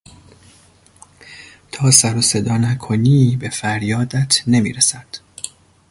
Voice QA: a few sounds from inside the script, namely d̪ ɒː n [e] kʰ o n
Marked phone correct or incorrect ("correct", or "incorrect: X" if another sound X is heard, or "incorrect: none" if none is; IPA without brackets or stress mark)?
incorrect: æ